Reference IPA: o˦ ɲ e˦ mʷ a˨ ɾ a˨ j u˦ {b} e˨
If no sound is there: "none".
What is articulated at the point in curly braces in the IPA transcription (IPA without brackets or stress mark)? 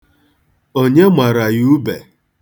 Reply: b